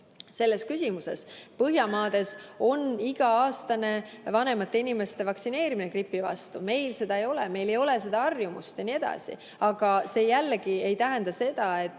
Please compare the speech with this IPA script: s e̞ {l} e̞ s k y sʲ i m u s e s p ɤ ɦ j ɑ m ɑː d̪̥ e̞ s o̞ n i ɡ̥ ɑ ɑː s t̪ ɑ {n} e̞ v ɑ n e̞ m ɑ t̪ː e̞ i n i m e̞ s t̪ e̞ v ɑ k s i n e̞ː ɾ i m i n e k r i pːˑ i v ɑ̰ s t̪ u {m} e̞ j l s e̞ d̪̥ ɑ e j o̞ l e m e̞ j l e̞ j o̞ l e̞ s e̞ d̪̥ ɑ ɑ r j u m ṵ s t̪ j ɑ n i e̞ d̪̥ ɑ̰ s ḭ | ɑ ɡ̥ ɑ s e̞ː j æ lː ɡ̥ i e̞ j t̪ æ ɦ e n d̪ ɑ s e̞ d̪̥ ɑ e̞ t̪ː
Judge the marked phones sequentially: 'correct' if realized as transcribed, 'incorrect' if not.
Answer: incorrect, correct, correct

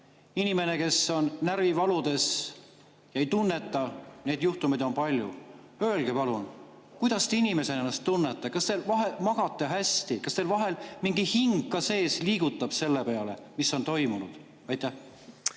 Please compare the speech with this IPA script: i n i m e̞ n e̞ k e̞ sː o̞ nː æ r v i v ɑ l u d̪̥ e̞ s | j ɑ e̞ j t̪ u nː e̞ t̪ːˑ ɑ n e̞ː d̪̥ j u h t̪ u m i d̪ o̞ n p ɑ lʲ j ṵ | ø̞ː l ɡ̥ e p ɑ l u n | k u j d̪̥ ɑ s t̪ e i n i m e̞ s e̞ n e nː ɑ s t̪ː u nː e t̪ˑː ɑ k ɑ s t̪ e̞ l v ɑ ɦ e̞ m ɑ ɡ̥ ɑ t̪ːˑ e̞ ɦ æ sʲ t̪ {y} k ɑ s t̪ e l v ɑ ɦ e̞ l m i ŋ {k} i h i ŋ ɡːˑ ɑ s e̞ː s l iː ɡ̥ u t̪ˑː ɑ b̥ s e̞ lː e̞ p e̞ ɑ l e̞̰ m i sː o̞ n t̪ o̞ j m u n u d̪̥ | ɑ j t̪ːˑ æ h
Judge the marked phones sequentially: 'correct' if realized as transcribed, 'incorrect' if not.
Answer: incorrect, incorrect

